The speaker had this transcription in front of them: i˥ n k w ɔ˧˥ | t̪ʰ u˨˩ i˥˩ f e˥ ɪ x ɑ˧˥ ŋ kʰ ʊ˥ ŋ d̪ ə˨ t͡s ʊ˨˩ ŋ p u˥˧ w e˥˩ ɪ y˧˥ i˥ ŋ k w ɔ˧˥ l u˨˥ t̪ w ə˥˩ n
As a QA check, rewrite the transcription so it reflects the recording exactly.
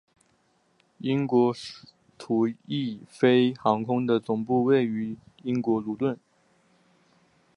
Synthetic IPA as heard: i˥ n k w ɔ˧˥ | t̪ʰ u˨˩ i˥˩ f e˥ ɪ x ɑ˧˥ ŋ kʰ ʊ˥ ŋ d̪ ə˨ t͡s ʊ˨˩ ŋ p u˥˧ w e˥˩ ɪ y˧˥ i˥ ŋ k w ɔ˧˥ l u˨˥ t̪ w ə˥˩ n

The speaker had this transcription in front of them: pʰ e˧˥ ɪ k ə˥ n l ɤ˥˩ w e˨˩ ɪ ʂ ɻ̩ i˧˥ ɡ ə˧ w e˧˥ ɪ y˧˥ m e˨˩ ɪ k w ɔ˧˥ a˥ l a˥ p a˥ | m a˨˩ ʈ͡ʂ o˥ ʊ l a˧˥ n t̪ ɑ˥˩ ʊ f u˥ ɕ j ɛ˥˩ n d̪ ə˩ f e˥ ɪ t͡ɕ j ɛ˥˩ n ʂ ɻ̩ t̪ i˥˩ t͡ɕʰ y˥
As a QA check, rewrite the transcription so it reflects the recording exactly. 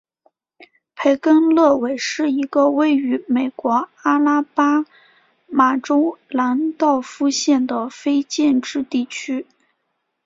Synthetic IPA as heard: pʰ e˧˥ ɪ k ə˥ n l ɤ˥˩ w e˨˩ ɪ ʂ ɻ̩ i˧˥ ɡ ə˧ w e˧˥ ɪ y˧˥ m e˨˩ ɪ k w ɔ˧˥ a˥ l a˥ p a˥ | m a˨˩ ʈ͡ʂ o˥ ʊ l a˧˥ n t̪ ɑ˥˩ ʊ f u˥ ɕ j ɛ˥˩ n d̪ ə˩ f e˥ ɪ t͡ɕ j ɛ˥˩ n ʈ͡ʂ ɻ̩ t̪ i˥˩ t͡ɕʰ y˥

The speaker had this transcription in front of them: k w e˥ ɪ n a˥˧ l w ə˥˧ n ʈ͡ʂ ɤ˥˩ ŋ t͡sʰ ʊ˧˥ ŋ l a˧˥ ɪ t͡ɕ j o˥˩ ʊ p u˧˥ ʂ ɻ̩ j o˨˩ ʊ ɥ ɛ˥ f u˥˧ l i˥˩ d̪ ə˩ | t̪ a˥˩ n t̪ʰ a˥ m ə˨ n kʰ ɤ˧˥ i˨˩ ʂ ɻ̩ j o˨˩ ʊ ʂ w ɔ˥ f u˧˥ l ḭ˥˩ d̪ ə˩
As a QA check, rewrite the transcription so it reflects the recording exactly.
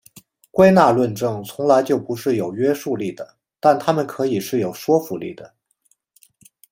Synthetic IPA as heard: k w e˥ ɪ n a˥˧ l w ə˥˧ n ʈ͡ʂ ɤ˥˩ ŋ t͡sʰ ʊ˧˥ ŋ l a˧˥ ɪ t͡ɕ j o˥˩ ʊ p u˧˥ ʂ ɻ̩ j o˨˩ ʊ ɥ ɛ˥ ʂ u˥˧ l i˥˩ d̪ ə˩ | t̪ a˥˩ n t̪ʰ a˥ m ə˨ n kʰ ɤ˧˥ i˨˩ ʂ ɻ̩ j o˨˩ ʊ ʂ w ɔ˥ f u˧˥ l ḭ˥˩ d̪ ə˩

